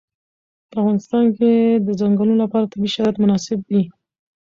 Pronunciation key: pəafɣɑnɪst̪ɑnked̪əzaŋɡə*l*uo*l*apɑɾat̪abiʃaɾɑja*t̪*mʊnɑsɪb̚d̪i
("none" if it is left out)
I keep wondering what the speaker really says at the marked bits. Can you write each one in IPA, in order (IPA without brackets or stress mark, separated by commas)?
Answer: l, l, t̪